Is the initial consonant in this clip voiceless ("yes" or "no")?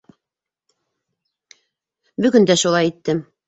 no